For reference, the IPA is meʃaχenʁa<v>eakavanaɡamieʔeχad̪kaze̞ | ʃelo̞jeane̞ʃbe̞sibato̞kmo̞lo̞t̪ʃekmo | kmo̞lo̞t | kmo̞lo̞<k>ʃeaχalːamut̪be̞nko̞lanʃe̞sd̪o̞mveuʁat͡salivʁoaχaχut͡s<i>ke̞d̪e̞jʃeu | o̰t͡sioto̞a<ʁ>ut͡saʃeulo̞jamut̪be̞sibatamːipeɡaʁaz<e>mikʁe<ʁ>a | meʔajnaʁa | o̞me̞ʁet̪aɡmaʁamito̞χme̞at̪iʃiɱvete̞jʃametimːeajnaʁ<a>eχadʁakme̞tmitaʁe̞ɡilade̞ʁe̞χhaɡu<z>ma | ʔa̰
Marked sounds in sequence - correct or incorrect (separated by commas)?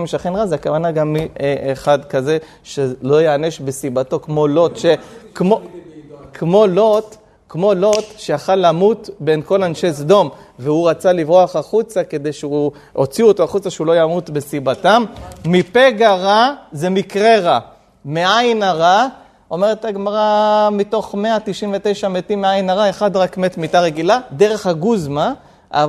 incorrect, incorrect, incorrect, incorrect, correct, correct, correct, correct